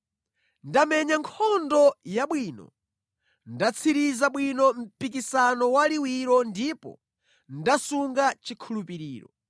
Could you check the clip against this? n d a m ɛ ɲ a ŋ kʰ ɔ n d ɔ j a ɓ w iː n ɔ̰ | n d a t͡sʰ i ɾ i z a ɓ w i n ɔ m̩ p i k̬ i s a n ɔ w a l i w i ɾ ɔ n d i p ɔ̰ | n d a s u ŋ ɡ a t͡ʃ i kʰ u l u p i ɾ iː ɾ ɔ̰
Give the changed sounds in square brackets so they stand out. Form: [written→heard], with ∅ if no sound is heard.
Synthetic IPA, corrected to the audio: n d a m ɛ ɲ a ŋ kʰ ɔ n d ɔ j a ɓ w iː n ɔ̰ | n d a t͡sʰ i ɾ i z a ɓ w i n ɔ m̩ p i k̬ i s a n ɔ w a l i w i ɾ ɔ n d i p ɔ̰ | n d a s u ŋ ɡ a t͡ʃ i kʰ u l u p i ɾ iː ɾ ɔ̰